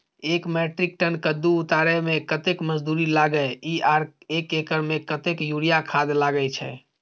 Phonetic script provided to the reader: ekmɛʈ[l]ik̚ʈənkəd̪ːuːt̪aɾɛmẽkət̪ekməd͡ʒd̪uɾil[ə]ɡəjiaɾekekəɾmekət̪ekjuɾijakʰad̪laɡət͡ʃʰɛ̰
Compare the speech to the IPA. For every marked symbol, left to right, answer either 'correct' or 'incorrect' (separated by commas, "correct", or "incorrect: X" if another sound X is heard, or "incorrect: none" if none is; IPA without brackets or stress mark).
incorrect: ɾ, incorrect: a